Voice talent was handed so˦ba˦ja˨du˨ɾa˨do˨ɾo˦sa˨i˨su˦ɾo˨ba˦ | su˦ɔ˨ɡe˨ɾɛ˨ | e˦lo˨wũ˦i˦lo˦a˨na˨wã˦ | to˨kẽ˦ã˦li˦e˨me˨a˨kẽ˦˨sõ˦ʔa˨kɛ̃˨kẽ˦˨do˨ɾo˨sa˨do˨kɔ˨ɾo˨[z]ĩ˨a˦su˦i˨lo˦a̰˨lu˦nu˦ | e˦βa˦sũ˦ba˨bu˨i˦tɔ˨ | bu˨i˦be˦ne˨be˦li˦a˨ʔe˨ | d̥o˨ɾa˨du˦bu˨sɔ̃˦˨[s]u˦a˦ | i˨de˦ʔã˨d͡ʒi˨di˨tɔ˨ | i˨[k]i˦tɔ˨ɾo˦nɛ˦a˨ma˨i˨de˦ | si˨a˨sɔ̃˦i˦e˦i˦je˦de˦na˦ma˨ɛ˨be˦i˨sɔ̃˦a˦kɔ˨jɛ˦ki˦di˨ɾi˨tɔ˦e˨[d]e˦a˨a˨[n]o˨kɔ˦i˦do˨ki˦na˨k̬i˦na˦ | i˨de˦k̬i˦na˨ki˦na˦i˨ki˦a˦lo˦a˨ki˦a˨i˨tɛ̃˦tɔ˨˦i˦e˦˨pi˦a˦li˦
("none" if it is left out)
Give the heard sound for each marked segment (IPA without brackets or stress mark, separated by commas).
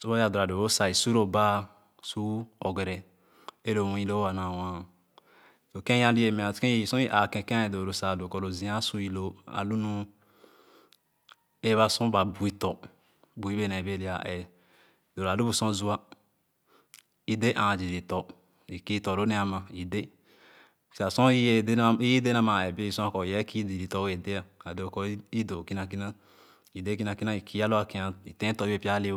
z, z, k, d, d